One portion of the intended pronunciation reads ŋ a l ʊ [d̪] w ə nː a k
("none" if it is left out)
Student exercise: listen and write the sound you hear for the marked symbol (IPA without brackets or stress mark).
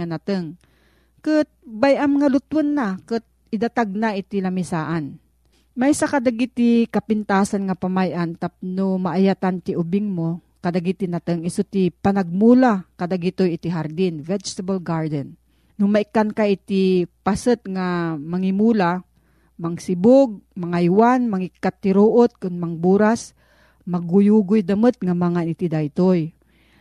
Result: t̪